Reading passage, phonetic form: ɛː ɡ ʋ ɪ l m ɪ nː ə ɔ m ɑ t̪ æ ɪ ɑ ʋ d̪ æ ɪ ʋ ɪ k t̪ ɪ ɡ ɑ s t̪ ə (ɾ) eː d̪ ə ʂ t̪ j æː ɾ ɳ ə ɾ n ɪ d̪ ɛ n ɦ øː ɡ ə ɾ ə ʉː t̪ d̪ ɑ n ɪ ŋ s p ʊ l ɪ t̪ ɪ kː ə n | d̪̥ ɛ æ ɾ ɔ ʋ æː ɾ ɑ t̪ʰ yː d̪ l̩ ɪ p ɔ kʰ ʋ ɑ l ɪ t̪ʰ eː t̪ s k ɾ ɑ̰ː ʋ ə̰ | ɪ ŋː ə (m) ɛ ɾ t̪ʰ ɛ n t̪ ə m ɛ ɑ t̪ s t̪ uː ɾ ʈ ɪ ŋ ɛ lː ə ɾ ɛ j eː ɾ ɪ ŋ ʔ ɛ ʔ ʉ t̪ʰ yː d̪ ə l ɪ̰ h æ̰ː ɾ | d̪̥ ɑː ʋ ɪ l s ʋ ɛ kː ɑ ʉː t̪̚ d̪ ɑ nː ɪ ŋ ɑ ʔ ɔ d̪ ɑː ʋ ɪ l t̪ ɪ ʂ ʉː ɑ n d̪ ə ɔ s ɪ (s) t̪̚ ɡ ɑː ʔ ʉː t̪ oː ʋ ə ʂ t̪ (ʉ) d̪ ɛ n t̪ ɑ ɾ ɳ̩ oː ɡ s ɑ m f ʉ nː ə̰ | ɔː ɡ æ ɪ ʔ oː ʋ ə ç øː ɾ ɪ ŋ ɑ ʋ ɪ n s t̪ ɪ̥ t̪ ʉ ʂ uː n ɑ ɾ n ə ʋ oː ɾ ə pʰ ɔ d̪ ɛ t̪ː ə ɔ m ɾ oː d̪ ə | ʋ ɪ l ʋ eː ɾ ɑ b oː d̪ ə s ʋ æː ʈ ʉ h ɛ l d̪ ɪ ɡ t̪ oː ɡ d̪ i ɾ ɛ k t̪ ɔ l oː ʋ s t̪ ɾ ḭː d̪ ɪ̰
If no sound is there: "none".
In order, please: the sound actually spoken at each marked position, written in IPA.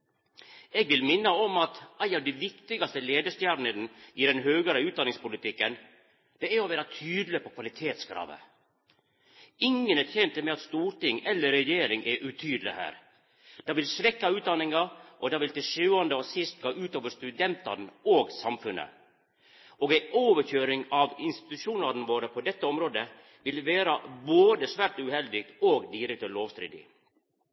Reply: l, n, s, ʉ

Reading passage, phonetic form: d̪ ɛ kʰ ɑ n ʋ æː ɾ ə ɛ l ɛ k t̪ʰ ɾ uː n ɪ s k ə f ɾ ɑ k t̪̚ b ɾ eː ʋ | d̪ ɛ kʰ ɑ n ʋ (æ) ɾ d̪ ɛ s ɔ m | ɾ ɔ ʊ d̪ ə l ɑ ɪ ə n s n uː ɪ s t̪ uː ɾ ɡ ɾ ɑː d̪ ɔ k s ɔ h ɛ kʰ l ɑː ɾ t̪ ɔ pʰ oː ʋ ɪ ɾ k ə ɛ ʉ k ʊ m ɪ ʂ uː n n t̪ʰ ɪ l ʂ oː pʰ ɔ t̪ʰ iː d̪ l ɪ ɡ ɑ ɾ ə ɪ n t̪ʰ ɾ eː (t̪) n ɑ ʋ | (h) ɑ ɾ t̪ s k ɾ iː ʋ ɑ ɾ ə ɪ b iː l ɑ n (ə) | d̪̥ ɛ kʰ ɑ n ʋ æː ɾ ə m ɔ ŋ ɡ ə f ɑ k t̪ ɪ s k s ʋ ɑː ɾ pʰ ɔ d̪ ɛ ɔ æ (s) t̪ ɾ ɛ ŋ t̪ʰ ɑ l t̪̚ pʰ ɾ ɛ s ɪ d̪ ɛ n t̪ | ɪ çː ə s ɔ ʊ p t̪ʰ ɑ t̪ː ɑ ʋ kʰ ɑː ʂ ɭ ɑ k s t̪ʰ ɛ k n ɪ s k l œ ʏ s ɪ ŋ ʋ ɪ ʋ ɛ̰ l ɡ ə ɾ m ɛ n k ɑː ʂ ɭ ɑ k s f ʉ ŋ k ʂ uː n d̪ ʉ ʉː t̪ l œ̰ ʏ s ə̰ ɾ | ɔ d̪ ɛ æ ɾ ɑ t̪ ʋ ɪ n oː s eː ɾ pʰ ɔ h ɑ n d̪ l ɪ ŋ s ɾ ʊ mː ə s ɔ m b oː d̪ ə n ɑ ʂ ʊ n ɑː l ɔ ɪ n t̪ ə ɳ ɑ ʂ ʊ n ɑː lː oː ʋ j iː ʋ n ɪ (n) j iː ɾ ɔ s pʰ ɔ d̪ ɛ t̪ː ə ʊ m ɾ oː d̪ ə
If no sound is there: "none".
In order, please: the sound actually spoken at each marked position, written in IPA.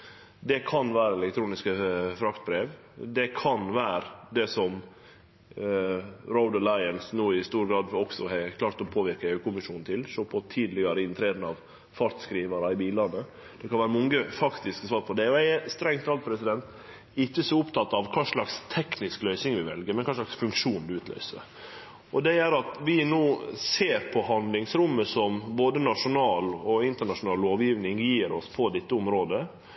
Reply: æː, d̪, f, ə, s, ŋ

